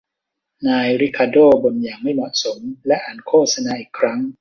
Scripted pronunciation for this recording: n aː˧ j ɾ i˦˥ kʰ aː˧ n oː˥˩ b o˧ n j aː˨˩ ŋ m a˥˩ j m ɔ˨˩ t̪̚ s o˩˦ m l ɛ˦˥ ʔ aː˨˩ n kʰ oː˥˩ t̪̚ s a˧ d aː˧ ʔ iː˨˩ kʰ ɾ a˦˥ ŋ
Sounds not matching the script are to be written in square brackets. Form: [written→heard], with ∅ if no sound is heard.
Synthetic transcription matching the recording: n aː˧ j ɾ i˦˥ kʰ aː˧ [n→d] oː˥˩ b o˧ n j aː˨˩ ŋ m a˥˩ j m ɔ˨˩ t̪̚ s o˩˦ m l ɛ˦˥ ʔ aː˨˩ n kʰ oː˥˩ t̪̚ s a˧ [d→n] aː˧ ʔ iː˨˩ kʰ ɾ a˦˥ ŋ